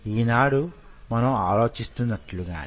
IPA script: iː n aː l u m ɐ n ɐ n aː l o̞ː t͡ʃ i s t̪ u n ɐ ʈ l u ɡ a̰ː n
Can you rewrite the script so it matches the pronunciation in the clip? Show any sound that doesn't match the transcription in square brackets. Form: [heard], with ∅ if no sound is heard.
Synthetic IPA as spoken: iː n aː [ɽ] u m ɐ n ɐ [m] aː l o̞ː t͡ʃ i s t̪ u [nː] ɐ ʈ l u ɡ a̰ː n